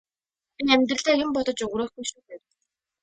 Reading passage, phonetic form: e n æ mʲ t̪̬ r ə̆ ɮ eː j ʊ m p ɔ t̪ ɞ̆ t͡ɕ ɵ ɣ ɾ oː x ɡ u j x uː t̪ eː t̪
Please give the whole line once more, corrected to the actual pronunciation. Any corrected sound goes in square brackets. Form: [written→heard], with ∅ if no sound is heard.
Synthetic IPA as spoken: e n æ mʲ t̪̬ r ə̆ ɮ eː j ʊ m p ɔ t̪ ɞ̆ t͡ɕ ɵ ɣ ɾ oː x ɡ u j [x→ʃ] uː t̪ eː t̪